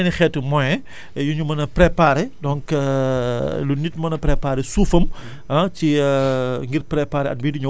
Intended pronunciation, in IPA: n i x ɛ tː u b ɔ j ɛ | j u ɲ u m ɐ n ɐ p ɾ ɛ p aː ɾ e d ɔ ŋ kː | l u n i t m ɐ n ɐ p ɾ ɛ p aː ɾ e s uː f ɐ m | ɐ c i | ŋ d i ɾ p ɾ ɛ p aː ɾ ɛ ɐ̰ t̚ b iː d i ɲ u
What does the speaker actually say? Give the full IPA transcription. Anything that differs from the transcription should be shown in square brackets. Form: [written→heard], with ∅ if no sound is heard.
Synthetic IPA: n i x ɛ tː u [b→m] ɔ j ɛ | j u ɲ u m ɐ n ɐ p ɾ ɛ p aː ɾ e d ɔ ŋ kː | l u n i t m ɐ n ɐ p ɾ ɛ p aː ɾ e s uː f ɐ m | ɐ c i | ŋ [d→ɡ] i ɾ p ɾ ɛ p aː ɾ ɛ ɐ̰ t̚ b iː d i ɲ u